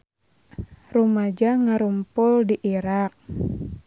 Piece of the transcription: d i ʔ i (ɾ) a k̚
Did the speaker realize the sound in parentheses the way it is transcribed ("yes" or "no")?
yes